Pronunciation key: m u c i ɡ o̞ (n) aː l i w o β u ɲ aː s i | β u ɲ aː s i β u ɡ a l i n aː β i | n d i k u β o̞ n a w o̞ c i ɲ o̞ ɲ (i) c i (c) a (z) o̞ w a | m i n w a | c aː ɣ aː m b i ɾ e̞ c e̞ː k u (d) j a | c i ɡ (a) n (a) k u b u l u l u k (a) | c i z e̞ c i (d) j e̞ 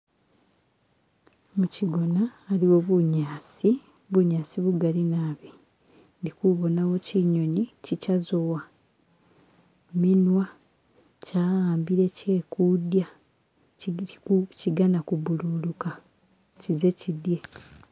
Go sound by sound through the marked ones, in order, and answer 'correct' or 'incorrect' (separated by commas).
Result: correct, correct, correct, correct, correct, correct, correct, correct, correct